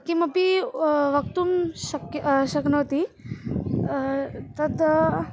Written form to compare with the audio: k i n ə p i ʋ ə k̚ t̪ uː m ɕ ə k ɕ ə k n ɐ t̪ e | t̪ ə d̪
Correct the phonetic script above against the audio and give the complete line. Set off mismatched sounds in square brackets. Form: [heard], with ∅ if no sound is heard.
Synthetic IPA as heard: k i [m] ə p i ʋ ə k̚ t̪ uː m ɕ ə k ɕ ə k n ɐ t̪ [i] | t̪ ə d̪